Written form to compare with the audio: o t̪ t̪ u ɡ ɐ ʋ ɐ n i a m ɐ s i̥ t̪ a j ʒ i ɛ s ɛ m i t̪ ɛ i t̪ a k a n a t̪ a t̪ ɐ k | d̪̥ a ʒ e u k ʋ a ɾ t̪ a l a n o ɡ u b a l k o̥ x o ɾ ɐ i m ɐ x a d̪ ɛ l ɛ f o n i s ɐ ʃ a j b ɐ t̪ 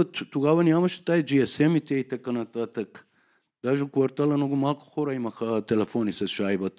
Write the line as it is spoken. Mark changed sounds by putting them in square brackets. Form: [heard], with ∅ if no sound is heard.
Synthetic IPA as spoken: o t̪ t̪ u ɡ [a] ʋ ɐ n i a m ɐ [ʃ] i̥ t̪ a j [d͡ʒ] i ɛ s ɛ m i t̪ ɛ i t̪ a k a n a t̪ a t̪ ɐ k | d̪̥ a ʒ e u k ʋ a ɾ t̪ a l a n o ɡ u [m] a l k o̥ x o ɾ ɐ i m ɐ x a [t̪] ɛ l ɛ f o n i s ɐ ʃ a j b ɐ t̪